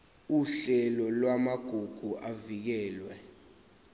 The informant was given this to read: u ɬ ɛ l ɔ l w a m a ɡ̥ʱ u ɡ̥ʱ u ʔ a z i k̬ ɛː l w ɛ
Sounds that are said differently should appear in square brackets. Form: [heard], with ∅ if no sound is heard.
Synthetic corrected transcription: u ɬ ɛ l ɔ l w a m a ɡ̥ʱ u ɡ̥ʱ u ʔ a [v] i k̬ ɛː l w ɛ